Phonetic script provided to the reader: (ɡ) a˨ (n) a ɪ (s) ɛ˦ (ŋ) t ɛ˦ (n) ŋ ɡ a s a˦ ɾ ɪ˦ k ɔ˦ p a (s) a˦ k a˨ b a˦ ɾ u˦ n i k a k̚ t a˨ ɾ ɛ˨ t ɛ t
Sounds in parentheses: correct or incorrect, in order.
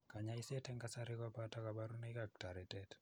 incorrect: k, incorrect: ɲ, correct, incorrect: none, incorrect: none, incorrect: t

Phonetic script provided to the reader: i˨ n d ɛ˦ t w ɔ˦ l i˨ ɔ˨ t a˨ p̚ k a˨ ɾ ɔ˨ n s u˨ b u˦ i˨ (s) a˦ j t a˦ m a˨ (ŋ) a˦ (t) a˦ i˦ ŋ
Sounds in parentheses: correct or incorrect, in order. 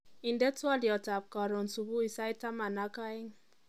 correct, incorrect: n, incorrect: k

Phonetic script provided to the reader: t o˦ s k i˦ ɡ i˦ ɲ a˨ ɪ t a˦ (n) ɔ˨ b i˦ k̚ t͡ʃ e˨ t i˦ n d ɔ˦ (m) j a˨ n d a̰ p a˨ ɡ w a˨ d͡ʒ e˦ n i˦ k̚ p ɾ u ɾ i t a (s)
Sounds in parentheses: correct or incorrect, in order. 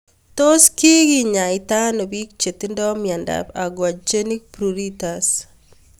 correct, correct, correct

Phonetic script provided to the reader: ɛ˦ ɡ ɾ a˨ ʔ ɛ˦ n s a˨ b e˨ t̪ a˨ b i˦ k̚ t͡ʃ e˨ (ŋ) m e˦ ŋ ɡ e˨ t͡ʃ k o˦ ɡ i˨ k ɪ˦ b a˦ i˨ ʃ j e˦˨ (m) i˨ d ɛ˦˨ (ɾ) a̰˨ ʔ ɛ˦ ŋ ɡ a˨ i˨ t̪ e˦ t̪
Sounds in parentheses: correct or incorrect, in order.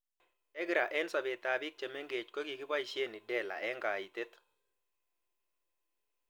incorrect: none, incorrect: n, incorrect: l

